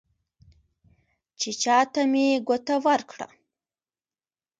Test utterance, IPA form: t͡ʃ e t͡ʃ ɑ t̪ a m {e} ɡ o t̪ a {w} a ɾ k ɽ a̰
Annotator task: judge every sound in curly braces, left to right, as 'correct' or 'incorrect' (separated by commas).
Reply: correct, correct